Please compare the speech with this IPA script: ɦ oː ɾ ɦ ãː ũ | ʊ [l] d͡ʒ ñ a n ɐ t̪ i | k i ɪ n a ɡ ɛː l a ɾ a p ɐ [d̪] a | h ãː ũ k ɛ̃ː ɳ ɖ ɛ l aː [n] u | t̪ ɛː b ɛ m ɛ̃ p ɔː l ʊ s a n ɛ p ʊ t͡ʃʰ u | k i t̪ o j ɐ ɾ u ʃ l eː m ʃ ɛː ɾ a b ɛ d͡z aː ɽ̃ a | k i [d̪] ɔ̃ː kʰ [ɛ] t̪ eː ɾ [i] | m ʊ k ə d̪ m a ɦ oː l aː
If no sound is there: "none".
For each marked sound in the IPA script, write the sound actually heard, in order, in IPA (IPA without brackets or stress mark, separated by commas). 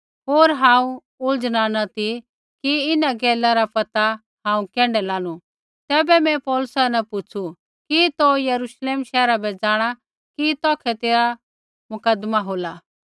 l, t̪, n, t̪, ɛ, a